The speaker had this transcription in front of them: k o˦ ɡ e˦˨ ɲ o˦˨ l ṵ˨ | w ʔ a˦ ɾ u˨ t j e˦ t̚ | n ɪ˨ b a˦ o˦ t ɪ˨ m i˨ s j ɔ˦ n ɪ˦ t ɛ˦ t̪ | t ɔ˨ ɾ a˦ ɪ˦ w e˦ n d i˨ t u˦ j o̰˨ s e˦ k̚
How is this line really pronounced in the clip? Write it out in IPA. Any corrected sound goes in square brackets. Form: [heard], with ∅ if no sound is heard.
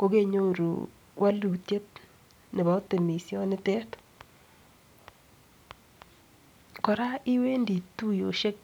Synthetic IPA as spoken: k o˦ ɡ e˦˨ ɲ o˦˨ [ɾ] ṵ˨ | w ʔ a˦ [l] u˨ t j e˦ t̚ | n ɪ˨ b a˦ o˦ t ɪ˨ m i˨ s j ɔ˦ n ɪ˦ t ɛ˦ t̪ | [k] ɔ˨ ɾ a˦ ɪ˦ w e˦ n d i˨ t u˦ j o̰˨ [ʃ] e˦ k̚